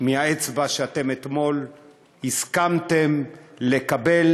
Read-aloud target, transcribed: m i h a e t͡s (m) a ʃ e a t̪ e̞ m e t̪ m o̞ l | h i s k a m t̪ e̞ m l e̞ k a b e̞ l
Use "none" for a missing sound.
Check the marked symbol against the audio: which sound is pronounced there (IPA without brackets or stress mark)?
b